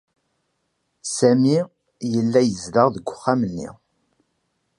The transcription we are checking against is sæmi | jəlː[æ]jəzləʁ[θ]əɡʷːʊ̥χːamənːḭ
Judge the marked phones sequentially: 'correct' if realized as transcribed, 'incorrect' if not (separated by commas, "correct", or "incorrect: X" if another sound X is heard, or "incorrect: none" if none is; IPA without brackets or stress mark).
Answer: correct, incorrect: ð